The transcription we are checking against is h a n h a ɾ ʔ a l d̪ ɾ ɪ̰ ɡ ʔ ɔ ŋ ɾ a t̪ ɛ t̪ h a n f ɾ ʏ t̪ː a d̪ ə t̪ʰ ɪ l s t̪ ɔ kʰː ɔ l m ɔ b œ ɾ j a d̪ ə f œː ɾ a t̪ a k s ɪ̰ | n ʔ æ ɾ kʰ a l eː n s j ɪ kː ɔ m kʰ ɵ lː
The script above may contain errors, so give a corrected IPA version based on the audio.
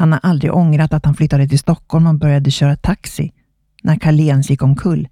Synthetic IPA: h a n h a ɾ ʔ a l d̪ ɾ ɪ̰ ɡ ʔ ɔ ŋ ɾ a t̪ a t̪ h a n f l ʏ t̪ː a d̪ ə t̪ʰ ɪ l s t̪ ɔ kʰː ɔ l m ɔ b œ ɾ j a d̪ ə ɕ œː ɾ a t̪ʰ a k s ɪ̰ | n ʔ æ ɾ kʰ a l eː n s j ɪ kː ɔ m kʰ ɵ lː